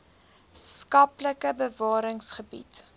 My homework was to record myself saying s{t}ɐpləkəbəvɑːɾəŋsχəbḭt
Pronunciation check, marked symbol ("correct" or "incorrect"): incorrect